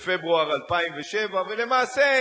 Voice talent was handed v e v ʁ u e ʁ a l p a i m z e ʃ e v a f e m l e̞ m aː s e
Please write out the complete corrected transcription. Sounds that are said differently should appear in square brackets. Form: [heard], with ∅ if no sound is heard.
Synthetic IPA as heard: [f] e [b] ʁ u [a] ʁ a l p a i m [v] e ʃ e v a [v] e [∅] l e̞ m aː s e